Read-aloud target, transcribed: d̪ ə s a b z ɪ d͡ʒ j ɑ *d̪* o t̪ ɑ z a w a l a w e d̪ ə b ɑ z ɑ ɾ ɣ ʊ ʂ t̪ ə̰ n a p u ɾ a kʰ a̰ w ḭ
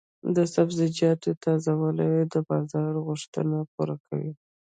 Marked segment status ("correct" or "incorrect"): incorrect